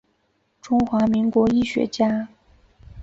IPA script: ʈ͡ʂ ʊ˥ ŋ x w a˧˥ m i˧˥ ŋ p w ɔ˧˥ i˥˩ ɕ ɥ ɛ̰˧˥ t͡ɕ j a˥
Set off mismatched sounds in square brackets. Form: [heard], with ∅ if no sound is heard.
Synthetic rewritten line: ʈ͡ʂ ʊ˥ ŋ x w a˧˥ m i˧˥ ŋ [k] w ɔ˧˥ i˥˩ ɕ ɥ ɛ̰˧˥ t͡ɕ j a˥